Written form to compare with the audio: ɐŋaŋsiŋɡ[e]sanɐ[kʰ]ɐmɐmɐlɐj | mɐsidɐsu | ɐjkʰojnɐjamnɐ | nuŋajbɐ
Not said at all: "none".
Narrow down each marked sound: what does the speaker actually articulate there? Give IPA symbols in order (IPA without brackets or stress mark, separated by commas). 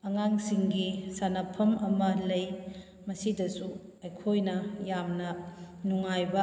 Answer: i, pʰ